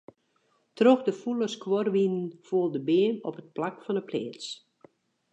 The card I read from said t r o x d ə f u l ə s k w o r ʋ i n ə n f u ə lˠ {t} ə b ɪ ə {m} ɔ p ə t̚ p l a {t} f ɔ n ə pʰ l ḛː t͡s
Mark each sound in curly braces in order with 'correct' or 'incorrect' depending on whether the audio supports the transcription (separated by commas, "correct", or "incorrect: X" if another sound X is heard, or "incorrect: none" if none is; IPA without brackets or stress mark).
incorrect: d, incorrect: n, incorrect: k